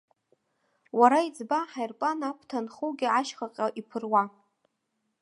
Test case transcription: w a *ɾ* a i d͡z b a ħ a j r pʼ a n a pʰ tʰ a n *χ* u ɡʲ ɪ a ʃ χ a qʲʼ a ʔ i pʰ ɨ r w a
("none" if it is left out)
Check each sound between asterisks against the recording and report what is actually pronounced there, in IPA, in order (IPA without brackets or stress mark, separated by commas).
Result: ɾ, χ